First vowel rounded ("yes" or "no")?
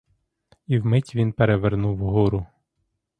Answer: no